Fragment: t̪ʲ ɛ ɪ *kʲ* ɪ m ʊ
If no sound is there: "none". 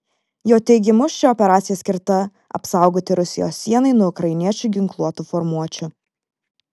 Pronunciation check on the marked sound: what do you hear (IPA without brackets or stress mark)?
ɡʲ